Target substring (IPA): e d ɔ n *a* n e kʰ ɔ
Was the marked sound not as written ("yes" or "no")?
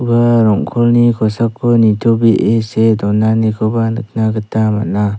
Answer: no